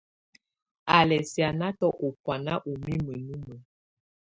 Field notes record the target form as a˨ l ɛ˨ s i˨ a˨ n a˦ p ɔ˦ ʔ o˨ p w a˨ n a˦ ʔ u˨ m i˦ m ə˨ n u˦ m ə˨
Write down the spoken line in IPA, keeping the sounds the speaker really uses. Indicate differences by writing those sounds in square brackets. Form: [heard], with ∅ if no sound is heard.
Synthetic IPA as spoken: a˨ l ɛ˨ s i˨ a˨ n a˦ [t] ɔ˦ ʔ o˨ p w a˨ n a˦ ʔ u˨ m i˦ m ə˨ n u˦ m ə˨